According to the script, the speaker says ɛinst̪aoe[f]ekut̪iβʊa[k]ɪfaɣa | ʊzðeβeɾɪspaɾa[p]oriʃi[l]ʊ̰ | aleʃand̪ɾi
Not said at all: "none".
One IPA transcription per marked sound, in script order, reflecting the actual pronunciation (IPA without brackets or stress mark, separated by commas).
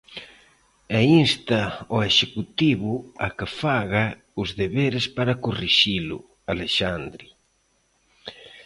ʃ, k, k, l